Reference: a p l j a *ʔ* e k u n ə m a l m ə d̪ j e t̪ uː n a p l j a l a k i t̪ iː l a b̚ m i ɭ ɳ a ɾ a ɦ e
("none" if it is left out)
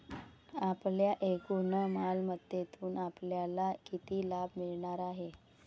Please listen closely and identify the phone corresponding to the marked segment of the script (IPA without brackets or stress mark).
ʔ